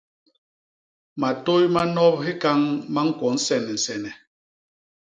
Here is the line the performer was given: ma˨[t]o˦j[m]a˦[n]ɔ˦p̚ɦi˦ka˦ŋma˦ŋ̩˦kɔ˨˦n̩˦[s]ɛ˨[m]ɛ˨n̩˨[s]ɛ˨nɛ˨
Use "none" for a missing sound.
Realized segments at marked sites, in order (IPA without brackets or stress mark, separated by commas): t, m, n, s, n, s